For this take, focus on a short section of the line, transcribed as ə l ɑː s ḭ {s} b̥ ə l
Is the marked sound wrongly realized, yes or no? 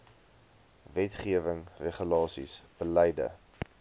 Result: no